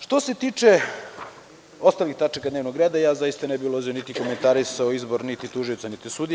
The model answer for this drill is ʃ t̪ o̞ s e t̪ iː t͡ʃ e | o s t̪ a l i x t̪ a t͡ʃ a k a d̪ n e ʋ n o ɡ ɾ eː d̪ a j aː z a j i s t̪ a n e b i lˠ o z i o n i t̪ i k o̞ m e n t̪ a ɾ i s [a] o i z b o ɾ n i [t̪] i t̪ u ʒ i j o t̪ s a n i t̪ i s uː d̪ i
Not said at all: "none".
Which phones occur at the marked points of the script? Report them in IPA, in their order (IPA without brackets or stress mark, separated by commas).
a, t̪